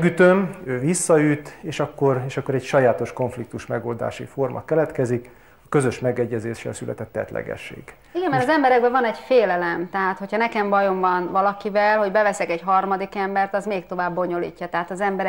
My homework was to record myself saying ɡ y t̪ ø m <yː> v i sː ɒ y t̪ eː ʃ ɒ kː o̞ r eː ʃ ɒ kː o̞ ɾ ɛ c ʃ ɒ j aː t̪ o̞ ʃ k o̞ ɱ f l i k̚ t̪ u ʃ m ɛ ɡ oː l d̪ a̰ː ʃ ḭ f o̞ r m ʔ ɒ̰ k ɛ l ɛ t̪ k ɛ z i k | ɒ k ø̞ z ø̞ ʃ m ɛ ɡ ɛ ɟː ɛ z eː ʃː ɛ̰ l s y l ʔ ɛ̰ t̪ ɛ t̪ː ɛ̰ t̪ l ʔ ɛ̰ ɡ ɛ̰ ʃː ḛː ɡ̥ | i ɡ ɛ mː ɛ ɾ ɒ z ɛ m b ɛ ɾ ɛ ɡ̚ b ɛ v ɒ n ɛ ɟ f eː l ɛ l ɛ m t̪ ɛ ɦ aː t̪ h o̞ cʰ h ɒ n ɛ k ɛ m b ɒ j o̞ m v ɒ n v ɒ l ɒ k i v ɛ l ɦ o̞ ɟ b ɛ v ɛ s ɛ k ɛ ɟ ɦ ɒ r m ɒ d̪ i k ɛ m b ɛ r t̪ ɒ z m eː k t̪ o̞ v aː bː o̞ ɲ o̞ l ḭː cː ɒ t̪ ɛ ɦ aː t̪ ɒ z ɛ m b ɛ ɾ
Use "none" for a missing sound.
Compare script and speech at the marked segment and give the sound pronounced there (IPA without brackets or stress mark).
øː